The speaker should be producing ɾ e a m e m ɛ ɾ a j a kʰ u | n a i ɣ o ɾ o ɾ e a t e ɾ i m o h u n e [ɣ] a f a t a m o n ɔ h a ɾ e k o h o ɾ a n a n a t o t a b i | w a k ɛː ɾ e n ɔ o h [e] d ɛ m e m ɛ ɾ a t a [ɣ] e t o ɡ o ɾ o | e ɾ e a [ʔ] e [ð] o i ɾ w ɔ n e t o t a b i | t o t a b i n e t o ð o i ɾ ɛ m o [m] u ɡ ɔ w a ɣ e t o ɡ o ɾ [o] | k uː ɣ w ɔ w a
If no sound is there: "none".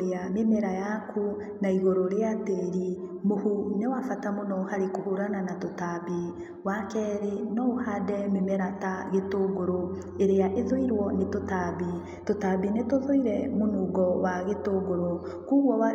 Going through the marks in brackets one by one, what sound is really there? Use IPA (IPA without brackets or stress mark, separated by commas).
w, a, ɣ, ʔ, ð, n, o